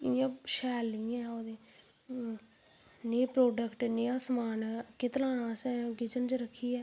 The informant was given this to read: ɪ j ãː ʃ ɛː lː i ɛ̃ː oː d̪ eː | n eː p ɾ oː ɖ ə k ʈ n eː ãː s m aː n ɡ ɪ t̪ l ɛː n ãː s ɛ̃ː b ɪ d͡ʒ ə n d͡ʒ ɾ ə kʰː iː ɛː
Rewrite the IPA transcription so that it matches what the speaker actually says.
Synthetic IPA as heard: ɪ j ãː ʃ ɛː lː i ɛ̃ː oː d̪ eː | n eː p ɾ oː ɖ ə k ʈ n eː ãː s m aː n k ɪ t̪ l aː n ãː s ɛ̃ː ɡ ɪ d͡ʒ ə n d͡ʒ ɾ ə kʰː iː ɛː